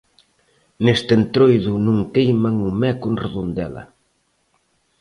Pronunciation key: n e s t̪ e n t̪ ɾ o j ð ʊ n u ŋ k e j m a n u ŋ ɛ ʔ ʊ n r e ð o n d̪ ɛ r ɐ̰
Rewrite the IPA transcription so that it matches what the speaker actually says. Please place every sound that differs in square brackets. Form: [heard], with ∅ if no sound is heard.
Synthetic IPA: n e s t̪ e n t̪ ɾ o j ð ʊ n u ŋ k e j m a [ŋ] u [m] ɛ [k] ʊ n r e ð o n d̪ ɛ [l] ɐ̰